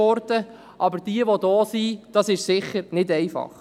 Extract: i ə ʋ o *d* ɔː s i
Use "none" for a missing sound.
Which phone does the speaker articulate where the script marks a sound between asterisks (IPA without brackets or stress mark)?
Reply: d